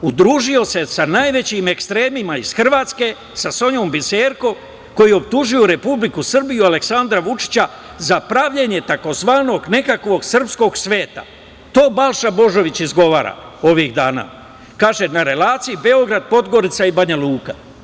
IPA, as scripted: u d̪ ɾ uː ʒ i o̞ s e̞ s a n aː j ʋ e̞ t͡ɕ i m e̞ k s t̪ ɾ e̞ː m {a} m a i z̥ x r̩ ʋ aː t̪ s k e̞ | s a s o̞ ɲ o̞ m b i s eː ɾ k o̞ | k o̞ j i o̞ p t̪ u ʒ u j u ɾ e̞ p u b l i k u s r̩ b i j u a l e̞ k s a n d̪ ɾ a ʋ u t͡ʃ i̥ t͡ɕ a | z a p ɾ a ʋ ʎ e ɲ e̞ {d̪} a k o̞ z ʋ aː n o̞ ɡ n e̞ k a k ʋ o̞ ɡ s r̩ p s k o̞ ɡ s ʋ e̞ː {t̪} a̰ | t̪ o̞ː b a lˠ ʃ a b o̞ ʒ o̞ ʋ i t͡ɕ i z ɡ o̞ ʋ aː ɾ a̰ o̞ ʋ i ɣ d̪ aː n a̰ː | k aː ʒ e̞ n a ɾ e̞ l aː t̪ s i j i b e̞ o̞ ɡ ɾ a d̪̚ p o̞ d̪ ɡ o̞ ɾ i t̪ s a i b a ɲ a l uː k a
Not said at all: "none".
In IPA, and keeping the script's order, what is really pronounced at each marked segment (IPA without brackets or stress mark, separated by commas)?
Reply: i, t̪, t̪